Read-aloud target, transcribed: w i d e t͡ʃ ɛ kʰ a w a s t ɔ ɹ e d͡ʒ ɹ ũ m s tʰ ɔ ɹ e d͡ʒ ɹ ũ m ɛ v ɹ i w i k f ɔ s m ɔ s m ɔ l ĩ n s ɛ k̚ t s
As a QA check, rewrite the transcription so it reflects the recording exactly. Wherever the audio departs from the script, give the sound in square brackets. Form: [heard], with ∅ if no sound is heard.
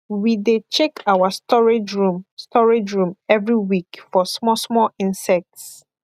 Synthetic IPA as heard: w i d e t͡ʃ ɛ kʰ a w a s t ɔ ɹ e d͡ʒ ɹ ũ m s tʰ ɔ ɹ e d͡ʒ ɹ ũ m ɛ v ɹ i w i k f ɔ s m ɔ s m ɔ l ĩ n s ɛ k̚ t s